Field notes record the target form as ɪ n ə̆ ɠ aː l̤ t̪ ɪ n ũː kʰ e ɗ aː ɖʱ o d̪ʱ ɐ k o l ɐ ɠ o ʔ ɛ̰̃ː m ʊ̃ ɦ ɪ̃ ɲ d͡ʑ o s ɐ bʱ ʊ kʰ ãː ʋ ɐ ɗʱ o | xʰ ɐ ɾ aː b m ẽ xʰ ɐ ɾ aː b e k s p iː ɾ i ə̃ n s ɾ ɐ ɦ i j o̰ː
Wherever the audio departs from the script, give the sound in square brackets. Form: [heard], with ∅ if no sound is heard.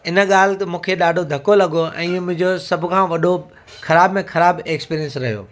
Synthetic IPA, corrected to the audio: ɪ n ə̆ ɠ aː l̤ t̪ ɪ [m] ũː kʰ e ɗ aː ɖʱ o d̪ʱ ɐ k o l ɐ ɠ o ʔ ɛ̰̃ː m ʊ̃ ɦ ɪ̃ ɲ d͡ʑ o s ɐ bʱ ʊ kʰ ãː ʋ ɐ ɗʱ o | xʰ ɐ ɾ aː b m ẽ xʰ ɐ ɾ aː b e k s p iː ɾ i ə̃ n s ɾ ɐ ɦ i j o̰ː